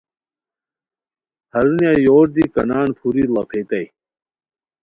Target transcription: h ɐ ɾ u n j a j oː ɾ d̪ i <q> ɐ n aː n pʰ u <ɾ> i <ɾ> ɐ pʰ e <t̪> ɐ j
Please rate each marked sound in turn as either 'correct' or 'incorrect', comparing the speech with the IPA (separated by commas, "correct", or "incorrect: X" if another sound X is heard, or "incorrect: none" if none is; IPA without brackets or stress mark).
incorrect: k, correct, incorrect: l, correct